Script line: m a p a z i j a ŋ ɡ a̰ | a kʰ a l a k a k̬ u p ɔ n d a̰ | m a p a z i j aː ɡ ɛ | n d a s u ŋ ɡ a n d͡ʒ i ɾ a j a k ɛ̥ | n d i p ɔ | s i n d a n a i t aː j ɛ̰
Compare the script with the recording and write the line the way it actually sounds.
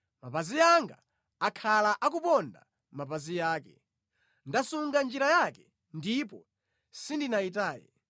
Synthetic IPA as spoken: m a p a z i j a ŋ ɡ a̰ | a kʰ a l a ʔ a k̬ u p ɔ n d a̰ | m a p a z i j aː k ɛ | n d a s u ŋ ɡ a n d͡ʒ i ɾ a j a k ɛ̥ | n d i p ɔ | s i n d i n a i t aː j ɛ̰